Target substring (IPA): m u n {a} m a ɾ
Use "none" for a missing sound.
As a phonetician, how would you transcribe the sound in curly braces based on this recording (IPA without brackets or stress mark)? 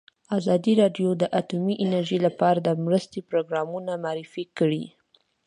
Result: a